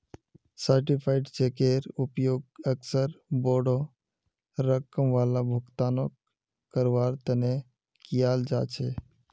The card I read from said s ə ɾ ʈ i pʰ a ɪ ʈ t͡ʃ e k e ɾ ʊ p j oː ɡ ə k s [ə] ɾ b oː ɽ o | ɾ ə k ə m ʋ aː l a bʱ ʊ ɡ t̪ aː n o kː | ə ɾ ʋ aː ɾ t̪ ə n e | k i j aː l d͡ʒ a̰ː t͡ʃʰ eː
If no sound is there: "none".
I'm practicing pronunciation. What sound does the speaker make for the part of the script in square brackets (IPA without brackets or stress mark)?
ə